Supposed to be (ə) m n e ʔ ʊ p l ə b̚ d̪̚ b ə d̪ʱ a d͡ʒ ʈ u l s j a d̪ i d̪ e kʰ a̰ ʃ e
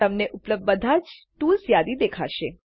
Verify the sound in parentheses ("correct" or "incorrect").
correct